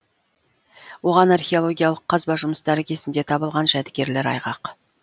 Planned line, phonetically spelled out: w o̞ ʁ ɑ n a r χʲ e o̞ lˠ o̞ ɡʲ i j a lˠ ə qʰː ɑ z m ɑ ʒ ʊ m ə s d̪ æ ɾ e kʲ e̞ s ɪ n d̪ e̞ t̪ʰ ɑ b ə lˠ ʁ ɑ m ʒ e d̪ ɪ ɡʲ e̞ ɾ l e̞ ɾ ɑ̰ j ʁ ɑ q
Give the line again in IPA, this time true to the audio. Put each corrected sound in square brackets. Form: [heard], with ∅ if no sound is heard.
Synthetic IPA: w o̞ ʁ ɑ n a r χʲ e o̞ lˠ o̞ ɡʲ i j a lˠ ə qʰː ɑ z [b] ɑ ʒ ʊ m ə s d̪ æ ɾ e kʲ e̞ s ɪ n d̪ e̞ t̪ʰ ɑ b ə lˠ ʁ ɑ [n] ʒ [æ] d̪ ɪ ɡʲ e̞ ɾ l e̞ ɾ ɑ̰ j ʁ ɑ q

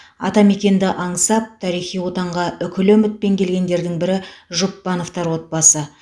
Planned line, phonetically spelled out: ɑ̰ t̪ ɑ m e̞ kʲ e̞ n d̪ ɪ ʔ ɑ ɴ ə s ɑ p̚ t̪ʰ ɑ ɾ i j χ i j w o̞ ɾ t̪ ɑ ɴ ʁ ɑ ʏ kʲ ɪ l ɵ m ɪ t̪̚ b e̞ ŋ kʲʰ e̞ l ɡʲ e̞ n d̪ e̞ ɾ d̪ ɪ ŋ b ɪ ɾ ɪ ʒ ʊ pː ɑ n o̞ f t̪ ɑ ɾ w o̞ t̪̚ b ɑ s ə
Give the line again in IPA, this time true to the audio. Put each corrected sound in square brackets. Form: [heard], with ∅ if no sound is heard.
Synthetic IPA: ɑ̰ t̪ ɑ m e̞ kʲ e̞ n d̪ ɪ ʔ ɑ ɴ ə s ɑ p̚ t̪ʰ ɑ ɾ i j χ i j w o̞ [∅] t̪ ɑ ɴ ʁ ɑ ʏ kʲ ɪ l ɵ m ɪ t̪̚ [p] e̞ ŋ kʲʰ e̞ l ɡʲ e̞ n d̪ e̞ ɾ d̪ ɪ ŋ b ɪ ɾ ɪ ʒ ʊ pː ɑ n o̞ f t̪ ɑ ɾ w o̞ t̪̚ b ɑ s ə

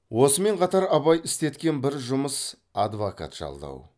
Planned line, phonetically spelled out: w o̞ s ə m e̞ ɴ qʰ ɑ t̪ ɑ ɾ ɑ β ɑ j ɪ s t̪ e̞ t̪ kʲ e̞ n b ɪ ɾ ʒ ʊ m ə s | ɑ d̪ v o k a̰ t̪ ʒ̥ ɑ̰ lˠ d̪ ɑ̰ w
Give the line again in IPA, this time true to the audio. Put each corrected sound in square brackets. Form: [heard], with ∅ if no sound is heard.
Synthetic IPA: w o̞ s ə m e̞ ɴ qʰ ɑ t̪ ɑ ɾ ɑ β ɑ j ɪ s t̪ e̞ t̪ kʲ e̞ n b ɪ ɾ ʒ ʊ m ə s | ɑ d̪ v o k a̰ t̪ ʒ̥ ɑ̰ lˠ d̪ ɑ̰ w

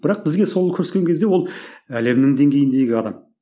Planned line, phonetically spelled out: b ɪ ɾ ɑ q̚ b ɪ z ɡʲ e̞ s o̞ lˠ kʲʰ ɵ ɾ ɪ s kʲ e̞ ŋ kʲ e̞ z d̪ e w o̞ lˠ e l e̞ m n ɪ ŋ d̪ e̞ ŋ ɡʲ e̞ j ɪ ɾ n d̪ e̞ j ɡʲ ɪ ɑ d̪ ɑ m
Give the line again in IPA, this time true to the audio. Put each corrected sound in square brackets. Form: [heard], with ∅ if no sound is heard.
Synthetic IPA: b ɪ ɾ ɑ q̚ b ɪ z ɡʲ e̞ s o̞ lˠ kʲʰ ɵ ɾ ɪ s kʲ e̞ ŋ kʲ e̞ z d̪ e w o̞ lˠ [æ] l e̞ m n ɪ ŋ d̪ e̞ ŋ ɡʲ e̞ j ɪ [∅] n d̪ e̞ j ɡʲ ɪ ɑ d̪ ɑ m

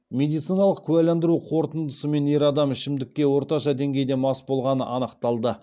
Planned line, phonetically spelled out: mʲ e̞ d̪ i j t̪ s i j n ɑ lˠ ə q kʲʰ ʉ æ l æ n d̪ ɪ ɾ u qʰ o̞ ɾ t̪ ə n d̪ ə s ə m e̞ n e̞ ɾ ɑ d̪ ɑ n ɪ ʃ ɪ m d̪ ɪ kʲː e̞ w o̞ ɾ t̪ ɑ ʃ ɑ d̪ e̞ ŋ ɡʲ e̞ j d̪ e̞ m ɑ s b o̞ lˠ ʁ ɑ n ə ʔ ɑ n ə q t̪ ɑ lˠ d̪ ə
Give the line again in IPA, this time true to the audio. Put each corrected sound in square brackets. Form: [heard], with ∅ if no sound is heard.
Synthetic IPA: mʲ e̞ d̪ i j t̪ s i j n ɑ lˠ ə q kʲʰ ʉ æ l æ n d̪ ɪ ɾ u qʰ o̞ ɾ t̪ ə n d̪ ə s ə m e̞ n e̞ ɾ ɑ d̪ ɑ [m] ɪ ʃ ɪ m d̪ ɪ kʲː e̞ w o̞ ɾ t̪ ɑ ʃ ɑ d̪ e̞ ŋ ɡʲ e̞ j d̪ e̞ m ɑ s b o̞ lˠ ʁ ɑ n ə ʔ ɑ n ə q t̪ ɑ lˠ d̪ ə

